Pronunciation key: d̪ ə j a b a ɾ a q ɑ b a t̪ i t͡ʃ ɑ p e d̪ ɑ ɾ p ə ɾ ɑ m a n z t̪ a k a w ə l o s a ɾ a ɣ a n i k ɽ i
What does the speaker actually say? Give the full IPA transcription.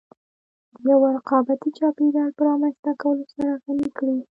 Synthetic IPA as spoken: d̪ ə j a w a ɾ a q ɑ b a t̪ i t͡ʃ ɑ p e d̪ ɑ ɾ p ə ɾ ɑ m a n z t̪ a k a w ə l o s a ɾ a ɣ a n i k ɽ i